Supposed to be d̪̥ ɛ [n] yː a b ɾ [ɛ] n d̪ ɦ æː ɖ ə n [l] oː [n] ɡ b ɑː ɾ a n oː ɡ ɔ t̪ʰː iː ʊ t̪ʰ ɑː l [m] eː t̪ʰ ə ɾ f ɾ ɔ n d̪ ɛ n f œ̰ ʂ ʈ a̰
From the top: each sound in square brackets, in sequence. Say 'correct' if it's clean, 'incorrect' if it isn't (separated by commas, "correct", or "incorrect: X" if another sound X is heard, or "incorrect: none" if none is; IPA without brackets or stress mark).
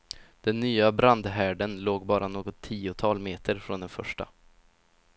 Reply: incorrect: nː, incorrect: a, correct, incorrect: none, correct